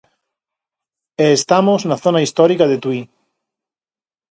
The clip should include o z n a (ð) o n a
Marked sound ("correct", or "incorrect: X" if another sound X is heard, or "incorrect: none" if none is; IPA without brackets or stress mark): incorrect: θ